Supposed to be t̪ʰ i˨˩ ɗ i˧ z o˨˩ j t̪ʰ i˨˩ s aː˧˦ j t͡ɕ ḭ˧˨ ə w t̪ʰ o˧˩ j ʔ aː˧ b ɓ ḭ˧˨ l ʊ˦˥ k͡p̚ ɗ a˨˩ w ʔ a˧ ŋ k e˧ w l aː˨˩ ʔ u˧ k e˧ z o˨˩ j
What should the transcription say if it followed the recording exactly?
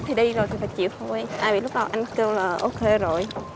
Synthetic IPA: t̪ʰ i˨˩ ɗ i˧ z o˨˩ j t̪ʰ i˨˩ f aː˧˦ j t͡ɕ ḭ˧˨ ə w t̪ʰ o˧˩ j ʔ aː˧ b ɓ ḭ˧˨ l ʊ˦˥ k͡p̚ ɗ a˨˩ w ʔ a˧ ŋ k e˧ w l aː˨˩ ʔ o˧ k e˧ z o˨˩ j